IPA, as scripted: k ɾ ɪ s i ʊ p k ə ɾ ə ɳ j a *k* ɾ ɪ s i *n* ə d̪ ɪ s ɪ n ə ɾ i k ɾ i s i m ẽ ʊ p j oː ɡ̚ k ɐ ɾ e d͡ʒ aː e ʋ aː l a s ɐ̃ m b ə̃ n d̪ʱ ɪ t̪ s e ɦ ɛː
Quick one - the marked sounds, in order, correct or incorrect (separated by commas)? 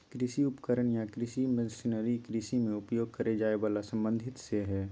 correct, incorrect